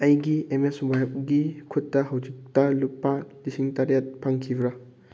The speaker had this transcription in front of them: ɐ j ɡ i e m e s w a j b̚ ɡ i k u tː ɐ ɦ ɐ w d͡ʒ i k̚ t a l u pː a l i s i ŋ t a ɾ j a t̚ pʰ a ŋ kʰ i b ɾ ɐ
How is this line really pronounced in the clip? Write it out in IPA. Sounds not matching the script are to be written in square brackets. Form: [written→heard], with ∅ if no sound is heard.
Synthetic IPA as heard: ɐ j ɡ i e m e s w a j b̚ ɡ i [k→kʰ] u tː ɐ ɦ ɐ w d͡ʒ i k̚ t [a→ɐ] l u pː a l i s i ŋ t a ɾ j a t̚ pʰ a ŋ kʰ i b ɾ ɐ